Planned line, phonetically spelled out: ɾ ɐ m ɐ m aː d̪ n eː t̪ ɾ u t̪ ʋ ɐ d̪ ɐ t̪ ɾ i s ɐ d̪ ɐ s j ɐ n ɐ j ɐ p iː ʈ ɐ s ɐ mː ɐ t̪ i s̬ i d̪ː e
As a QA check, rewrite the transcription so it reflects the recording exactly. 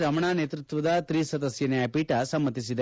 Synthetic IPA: ɾ ɐ m ɐ ɳ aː n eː t̪ ɾ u t̪ ʋ ɐ d̪ ɐ t̪ ɾ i s ɐ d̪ ɐ s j ɐ n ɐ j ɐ p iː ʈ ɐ s ɐ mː ɐ t̪ i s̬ i d̪ e